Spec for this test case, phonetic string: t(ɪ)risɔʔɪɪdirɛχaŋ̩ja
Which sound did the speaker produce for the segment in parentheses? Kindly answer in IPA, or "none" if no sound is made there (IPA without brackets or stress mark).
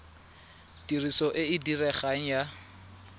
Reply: i